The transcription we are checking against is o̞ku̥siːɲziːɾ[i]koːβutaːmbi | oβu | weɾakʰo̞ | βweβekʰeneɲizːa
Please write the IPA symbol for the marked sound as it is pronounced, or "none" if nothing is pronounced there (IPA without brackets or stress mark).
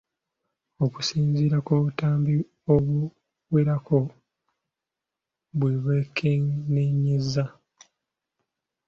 a